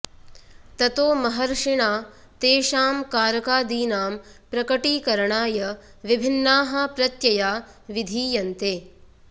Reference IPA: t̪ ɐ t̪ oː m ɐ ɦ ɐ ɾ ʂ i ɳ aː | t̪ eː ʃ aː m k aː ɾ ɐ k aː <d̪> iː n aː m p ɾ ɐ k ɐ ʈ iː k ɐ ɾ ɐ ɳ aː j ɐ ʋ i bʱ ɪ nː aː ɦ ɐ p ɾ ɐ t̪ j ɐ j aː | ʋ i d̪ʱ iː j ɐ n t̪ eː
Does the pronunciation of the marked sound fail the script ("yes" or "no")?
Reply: no